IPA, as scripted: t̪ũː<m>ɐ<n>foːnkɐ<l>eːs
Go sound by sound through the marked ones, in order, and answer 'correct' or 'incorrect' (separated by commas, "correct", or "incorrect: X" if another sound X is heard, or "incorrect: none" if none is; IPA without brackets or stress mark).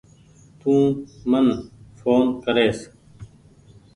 correct, correct, incorrect: ɾ